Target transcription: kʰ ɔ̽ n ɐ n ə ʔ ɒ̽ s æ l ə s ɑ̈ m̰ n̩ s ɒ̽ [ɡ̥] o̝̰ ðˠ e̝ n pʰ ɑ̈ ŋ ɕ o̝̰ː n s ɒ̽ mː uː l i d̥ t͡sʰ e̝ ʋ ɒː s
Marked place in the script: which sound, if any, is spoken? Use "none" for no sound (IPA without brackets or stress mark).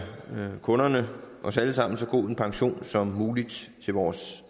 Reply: ɡ̥